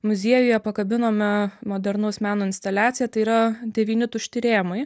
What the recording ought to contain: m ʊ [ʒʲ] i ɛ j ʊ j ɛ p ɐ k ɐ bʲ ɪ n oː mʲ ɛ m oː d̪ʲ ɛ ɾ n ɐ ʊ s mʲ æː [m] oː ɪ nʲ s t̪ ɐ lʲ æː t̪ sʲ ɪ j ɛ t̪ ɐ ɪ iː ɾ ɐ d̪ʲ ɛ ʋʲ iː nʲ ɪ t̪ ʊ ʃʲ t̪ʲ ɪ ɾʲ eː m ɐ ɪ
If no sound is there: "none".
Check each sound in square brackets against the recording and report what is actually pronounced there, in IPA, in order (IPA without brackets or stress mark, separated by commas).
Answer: zʲ, n